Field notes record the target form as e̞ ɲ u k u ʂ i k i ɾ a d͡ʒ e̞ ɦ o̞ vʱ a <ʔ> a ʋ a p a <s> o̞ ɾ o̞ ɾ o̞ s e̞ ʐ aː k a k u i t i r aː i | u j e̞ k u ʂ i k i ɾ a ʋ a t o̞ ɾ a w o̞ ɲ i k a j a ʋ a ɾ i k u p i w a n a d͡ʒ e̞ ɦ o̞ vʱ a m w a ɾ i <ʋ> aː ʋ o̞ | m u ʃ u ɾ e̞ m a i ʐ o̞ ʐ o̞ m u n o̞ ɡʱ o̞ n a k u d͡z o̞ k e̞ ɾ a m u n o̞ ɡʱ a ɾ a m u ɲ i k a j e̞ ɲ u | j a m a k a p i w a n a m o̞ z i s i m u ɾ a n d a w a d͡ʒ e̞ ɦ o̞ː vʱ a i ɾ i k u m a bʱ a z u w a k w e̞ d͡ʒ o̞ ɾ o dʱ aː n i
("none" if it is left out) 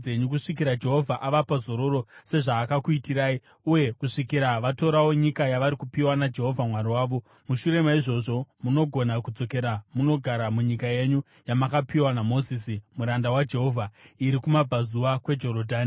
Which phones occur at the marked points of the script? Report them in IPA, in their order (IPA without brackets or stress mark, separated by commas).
ʔ, z, w